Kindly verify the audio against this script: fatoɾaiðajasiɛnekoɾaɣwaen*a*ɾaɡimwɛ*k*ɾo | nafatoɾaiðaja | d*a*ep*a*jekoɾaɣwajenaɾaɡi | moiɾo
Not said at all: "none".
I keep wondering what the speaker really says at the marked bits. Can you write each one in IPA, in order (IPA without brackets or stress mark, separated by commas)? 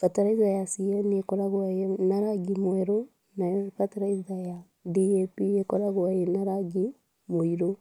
a, none, i, i